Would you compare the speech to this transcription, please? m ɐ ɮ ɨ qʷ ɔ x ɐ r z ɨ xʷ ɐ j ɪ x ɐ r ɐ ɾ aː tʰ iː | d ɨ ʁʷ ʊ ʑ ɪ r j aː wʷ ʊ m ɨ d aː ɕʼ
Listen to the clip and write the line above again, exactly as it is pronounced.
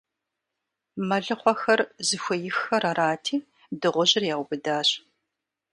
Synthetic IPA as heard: m ɐ ɮ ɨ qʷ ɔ x ɐ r z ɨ xʷ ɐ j ɪ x ɐ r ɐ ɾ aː tʰ iː | d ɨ ʁʷ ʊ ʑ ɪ r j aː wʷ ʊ b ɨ d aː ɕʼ